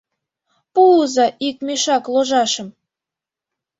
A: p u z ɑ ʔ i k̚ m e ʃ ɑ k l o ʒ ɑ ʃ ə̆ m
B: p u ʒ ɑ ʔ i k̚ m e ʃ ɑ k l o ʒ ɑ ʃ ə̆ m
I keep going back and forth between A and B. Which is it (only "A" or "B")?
A